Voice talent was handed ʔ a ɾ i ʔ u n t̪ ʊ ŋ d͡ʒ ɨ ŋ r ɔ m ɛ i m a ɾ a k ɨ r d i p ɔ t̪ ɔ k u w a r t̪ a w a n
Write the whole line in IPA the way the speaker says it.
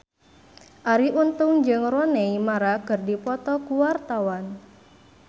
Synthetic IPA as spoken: ʔ a ɾ i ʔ u n t̪ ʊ ŋ d͡ʒ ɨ ŋ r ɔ n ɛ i m a ɾ a k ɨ r d i p ɔ t̪ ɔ k u w a r t̪ a w a n